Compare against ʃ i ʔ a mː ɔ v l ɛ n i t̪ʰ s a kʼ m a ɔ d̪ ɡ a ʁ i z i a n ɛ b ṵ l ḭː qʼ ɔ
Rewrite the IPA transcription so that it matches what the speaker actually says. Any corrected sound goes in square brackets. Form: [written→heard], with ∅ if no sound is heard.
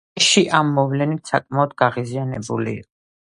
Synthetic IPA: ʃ i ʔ a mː ɔ v l ɛ n i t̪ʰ s a kʼ m a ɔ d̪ ɡ a ʁ i z i a n ɛ b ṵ l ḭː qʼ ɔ